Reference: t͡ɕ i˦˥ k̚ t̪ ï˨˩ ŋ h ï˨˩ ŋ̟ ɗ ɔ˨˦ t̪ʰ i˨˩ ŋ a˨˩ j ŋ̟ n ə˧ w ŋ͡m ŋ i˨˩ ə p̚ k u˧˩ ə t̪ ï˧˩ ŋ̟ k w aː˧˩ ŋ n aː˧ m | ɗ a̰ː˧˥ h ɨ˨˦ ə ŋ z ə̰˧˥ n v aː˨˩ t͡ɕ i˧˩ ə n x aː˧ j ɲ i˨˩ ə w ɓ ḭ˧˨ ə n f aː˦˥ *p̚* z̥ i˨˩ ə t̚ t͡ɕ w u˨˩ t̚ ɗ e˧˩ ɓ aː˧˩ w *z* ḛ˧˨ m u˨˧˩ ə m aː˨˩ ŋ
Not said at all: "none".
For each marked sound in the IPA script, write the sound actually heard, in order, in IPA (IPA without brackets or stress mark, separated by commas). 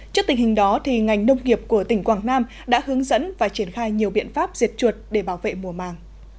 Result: p̚, v